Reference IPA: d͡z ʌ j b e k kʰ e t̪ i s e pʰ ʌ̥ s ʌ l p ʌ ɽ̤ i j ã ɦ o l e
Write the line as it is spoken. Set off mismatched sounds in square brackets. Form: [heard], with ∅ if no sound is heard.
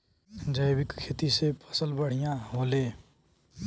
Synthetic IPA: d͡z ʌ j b [i] k kʰ e t̪ i s e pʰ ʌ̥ s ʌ l [b] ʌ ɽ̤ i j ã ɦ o l e